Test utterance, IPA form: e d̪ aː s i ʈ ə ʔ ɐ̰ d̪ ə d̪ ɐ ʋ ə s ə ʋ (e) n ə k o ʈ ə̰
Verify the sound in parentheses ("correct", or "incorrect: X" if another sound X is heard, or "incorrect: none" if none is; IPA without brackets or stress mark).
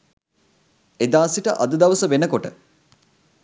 correct